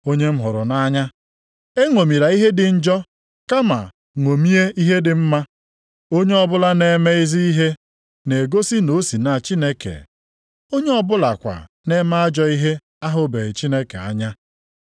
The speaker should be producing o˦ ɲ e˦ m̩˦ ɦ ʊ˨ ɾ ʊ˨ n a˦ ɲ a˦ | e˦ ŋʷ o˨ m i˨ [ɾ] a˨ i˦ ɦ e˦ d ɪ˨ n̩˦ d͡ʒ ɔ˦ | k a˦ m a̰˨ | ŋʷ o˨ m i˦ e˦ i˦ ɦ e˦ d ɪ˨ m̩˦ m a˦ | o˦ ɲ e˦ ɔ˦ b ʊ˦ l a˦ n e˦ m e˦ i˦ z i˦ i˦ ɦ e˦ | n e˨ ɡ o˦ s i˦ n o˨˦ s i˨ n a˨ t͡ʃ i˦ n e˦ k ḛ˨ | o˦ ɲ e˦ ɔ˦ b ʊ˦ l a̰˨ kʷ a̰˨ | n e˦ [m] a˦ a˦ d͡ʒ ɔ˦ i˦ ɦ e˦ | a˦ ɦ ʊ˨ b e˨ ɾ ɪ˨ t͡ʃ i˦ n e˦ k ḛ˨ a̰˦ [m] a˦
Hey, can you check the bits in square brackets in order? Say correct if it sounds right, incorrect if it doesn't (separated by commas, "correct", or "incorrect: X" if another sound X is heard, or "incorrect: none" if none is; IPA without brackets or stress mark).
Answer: correct, correct, incorrect: ɲ